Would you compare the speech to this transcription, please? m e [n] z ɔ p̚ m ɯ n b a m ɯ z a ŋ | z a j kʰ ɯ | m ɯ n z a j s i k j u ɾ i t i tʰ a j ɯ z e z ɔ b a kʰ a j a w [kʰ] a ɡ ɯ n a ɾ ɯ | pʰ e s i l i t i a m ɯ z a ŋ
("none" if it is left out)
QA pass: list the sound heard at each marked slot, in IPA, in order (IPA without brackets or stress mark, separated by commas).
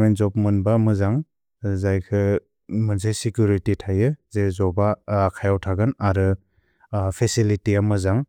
n, tʰ